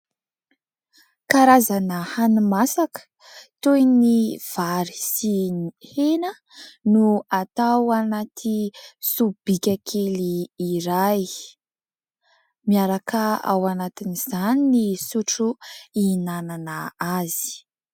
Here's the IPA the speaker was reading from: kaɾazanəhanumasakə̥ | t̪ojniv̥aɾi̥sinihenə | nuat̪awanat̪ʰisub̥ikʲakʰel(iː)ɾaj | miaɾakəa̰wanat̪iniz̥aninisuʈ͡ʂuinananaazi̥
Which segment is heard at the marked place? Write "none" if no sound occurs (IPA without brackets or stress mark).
iː